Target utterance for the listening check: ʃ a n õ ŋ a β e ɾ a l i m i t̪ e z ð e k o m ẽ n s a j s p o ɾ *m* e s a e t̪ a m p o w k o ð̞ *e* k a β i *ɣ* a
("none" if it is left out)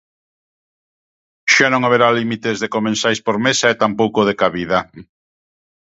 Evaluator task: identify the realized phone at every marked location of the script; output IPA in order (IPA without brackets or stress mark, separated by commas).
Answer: m, e, ð